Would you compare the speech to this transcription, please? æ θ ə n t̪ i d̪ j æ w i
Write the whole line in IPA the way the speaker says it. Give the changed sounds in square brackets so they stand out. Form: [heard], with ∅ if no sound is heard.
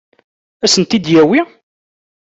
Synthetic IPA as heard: æ [s] ə n t̪ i d̪ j æ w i